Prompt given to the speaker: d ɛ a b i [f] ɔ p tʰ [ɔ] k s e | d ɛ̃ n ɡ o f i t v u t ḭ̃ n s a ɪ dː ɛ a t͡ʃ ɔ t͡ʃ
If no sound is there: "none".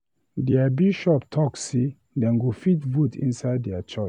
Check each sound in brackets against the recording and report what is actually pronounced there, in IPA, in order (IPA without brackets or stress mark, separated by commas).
ʃ, ɔ